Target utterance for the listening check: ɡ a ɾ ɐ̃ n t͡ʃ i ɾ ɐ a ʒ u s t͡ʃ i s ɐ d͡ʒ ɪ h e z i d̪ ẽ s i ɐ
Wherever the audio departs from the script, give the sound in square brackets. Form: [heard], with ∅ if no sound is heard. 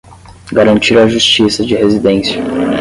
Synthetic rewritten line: ɡ a ɾ ɐ̃ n t͡ʃ i ɾ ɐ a ʒ u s t͡ʃ i s ɐ d͡ʒ ɪ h e z i d̪ ẽ s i ɐ